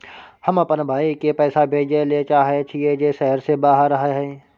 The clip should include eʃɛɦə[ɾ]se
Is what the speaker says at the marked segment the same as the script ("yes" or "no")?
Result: yes